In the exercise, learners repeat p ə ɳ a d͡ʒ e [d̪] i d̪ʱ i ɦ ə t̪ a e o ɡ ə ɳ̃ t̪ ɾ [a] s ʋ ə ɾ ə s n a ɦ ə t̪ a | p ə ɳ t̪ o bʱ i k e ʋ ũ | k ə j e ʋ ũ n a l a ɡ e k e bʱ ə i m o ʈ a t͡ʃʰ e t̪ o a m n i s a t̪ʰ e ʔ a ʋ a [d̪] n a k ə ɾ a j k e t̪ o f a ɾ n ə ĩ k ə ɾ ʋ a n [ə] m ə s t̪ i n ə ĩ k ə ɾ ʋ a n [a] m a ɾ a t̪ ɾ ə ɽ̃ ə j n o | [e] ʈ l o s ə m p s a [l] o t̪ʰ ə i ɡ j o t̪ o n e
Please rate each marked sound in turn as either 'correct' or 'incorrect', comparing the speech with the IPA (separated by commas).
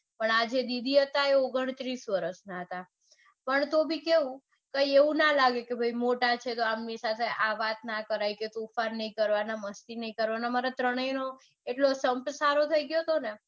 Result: correct, incorrect, incorrect, incorrect, correct, correct, incorrect